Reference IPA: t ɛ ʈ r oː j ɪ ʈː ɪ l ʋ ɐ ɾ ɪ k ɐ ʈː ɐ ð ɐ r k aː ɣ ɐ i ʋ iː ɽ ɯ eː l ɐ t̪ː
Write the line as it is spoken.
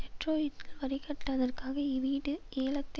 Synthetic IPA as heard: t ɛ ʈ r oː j ɪ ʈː ɪ l ʋ ɐ ɾ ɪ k ɐ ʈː ɐ ð ɐ r k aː ɣ ɐ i ʋ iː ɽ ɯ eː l ɐ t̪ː